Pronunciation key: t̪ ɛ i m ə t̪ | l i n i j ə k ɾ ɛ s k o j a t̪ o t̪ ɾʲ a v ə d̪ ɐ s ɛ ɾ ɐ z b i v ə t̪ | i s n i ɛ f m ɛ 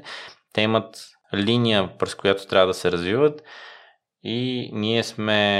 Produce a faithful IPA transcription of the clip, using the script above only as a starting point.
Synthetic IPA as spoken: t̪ ɛ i m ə t̪ | l i n i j ə p ɾ ɛ s k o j a t̪ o t̪ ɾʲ a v ə d̪ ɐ s ɛ ɾ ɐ z v i v ə t̪ | i n i ɛ s m ɛ